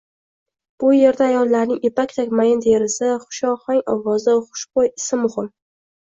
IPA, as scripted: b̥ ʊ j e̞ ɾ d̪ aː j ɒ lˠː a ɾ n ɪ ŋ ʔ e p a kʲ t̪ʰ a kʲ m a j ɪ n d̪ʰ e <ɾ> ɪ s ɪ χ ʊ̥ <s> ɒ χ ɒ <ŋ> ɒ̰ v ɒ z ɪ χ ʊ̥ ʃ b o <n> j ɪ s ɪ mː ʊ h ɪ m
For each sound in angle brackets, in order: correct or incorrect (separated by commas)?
correct, incorrect, correct, incorrect